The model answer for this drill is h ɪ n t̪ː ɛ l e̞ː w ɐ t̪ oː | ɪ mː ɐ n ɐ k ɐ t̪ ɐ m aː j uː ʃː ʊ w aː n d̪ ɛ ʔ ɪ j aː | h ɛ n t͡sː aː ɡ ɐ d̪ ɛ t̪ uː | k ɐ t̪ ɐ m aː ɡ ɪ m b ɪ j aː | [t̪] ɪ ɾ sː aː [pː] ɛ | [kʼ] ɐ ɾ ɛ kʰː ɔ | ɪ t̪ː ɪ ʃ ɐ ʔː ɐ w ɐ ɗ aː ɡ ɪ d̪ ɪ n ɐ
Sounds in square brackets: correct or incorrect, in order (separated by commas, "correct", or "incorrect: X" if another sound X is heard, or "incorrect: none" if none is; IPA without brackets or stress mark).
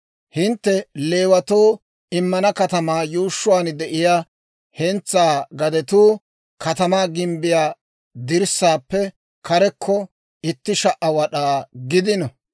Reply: incorrect: d̪, correct, incorrect: k